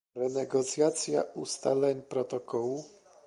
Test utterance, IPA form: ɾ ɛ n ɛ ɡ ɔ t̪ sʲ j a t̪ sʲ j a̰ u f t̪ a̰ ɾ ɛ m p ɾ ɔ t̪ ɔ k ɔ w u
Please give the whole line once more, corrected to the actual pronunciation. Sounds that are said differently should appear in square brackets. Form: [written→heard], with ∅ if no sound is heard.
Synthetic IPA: ɾ ɛ n ɛ ɡ ɔ t̪ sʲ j a t̪ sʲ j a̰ u [f→s] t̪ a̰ [ɾ→l] ɛ [m→ɲ] p ɾ ɔ t̪ ɔ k ɔ w u